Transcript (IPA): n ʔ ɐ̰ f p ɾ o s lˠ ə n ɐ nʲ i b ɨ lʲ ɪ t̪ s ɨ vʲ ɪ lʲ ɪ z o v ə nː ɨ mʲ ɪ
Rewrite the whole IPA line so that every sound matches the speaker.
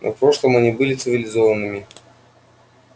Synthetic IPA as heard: n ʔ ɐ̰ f p ɾ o ʂ lˠ ə m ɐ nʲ i b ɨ lʲ ɪ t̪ s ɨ vʲ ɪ lʲ ɪ z o v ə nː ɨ mʲ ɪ